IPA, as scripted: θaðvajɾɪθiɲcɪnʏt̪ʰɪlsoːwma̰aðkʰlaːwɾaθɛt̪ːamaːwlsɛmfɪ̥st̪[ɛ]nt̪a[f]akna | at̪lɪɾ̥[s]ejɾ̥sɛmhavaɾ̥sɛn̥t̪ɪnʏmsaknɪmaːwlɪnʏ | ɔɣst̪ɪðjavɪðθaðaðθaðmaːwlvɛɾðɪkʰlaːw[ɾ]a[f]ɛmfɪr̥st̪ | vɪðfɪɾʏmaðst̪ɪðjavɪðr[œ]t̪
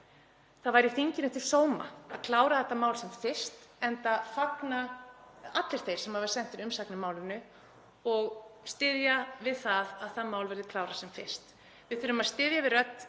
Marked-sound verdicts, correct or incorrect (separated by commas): correct, correct, incorrect, correct, incorrect, correct